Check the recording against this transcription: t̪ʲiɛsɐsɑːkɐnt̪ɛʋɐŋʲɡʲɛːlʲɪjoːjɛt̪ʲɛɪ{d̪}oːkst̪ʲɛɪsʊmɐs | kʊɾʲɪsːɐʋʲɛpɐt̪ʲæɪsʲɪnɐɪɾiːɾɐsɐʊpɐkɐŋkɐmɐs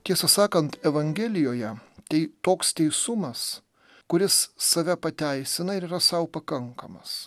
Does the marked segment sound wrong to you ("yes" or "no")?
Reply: yes